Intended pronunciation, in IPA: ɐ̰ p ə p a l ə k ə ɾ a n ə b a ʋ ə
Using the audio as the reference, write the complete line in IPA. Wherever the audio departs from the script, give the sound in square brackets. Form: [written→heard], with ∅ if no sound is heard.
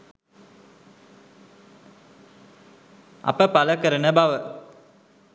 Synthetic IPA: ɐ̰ p ə p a l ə k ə ɾ [a→ə] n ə b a ʋ ə